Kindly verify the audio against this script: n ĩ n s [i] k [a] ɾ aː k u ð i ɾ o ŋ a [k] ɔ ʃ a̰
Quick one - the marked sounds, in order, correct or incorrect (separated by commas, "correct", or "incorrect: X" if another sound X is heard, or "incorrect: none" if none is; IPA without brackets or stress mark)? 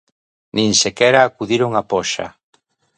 incorrect: e, incorrect: ɛ, incorrect: p